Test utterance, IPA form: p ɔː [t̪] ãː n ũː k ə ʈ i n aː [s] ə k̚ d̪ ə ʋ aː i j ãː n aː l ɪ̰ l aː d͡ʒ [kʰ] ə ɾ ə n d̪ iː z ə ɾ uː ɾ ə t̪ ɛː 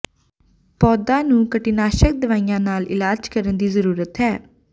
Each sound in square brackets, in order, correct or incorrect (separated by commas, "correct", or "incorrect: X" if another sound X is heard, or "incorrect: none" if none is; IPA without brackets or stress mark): incorrect: d̪, incorrect: ʃ, incorrect: k